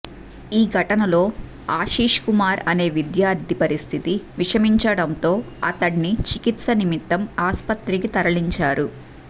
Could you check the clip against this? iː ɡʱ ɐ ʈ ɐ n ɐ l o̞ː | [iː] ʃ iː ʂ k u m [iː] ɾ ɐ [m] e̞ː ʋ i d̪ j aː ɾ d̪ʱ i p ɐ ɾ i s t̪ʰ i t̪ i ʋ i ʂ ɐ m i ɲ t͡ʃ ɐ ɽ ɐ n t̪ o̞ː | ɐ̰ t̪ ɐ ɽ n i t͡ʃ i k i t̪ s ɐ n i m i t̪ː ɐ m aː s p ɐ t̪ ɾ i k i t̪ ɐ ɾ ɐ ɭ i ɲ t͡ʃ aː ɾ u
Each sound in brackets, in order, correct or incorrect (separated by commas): incorrect, incorrect, incorrect